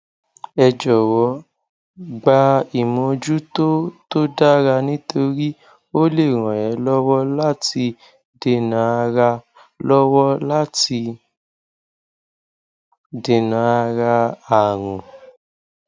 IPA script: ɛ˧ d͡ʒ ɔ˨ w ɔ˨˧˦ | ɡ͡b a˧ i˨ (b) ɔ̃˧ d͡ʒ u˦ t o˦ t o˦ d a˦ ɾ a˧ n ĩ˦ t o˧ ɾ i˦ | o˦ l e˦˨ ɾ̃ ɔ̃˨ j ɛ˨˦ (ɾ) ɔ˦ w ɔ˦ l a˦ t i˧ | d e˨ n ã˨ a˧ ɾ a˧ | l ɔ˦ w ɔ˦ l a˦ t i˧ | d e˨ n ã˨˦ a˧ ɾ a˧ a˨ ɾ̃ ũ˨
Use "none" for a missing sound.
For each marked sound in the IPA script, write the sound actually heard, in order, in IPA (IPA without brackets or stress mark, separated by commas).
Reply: m, l